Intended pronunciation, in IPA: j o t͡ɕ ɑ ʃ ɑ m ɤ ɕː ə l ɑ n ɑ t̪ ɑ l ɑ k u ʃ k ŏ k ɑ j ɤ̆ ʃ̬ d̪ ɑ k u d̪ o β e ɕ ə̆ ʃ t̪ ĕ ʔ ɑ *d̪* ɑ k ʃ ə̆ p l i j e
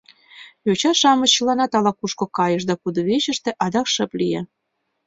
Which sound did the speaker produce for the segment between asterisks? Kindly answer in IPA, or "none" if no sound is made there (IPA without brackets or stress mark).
d̪